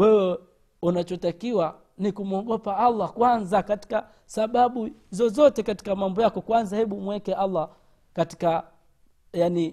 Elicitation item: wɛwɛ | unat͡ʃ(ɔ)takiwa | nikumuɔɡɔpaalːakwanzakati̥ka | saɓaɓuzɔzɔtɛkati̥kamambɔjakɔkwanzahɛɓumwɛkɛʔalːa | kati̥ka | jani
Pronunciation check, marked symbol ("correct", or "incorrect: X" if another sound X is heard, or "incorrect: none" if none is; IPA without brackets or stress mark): correct